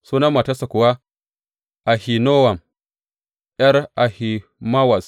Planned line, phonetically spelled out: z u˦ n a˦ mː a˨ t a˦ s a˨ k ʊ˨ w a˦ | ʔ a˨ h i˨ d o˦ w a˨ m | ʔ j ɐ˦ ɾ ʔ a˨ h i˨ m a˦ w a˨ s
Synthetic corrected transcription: s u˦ n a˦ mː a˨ t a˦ s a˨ k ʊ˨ w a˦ | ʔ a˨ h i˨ n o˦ w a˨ m | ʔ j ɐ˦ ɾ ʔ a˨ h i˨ m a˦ w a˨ s